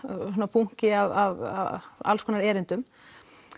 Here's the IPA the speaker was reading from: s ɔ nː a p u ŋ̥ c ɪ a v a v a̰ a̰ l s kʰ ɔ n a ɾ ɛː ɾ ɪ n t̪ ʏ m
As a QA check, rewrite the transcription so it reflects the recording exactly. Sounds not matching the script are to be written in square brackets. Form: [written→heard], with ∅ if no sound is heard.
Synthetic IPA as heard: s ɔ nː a p u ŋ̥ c ɪ a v a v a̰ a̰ l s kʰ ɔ n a ɾ ɛː ɾ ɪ n t̪ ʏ m